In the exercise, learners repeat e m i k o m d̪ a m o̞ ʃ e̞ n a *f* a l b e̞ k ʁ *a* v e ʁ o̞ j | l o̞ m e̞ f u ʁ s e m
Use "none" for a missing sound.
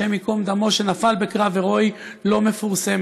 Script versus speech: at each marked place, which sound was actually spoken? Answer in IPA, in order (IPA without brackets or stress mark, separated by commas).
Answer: f, a